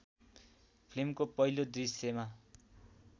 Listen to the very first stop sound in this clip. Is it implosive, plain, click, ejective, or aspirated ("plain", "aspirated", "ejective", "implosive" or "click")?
aspirated